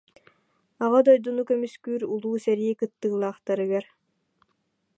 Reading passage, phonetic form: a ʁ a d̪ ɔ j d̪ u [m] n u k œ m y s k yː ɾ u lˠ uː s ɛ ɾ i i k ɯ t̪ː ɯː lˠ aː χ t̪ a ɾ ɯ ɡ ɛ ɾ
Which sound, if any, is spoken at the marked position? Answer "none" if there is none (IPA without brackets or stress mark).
none